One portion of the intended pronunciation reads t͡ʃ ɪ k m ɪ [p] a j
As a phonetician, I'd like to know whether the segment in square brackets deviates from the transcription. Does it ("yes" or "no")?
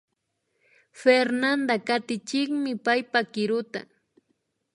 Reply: no